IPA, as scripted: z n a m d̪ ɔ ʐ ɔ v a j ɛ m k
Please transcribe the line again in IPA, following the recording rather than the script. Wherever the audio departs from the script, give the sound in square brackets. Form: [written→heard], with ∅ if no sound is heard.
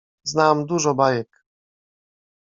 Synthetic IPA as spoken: z n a m d̪ [ɔ→u] ʐ ɔ [v→b] a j ɛ [m→∅] k